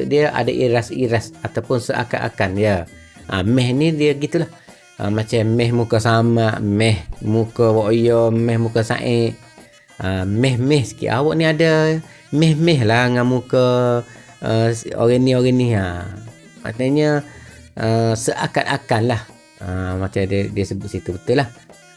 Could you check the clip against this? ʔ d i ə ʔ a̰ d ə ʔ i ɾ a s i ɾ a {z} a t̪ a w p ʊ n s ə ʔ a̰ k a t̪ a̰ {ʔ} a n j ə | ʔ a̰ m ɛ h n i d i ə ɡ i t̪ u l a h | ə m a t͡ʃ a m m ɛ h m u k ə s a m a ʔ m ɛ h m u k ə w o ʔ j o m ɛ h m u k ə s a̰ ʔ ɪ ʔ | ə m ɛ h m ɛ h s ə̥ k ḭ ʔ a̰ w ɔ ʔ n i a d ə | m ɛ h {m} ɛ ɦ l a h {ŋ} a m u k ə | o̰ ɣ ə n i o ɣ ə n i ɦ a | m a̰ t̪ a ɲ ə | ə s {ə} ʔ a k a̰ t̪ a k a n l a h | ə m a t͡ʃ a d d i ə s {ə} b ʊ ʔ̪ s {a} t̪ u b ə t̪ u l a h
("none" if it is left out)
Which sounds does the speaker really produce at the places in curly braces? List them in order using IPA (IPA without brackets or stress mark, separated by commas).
s, k, m, ŋ, ə, ə, i